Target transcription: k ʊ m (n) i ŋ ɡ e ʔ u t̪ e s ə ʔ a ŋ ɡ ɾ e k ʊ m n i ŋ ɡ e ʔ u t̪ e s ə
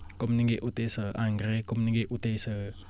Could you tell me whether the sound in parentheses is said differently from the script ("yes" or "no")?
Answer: no